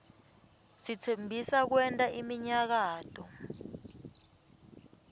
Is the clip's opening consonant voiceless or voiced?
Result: voiceless